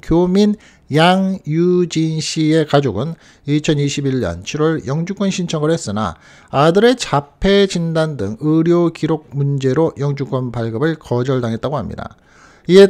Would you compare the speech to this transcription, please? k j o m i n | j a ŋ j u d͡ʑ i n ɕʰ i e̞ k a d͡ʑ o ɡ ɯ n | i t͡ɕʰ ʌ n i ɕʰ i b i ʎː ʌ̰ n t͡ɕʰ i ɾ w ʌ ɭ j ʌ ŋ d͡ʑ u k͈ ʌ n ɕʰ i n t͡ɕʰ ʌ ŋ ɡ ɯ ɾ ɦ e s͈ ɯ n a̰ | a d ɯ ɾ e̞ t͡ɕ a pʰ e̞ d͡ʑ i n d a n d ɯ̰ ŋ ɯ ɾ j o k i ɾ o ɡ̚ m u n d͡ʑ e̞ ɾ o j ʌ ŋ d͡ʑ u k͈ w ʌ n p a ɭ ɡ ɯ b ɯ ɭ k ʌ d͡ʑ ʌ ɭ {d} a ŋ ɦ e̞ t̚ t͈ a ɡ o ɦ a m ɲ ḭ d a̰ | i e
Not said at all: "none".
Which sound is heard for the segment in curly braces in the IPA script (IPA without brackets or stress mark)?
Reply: d